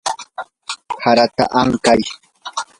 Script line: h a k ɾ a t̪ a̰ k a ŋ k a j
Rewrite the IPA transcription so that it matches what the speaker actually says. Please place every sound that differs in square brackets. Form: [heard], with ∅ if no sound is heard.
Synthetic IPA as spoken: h a [∅] ɾ a t̪ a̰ [ʔ] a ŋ k a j